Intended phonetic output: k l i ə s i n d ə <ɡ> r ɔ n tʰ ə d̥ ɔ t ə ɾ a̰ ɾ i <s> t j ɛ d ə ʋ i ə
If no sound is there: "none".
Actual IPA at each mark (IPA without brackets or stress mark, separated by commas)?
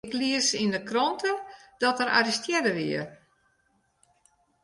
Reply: k, s